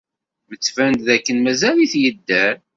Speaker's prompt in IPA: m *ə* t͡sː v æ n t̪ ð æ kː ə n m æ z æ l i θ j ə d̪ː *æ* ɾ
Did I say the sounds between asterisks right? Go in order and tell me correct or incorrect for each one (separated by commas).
correct, correct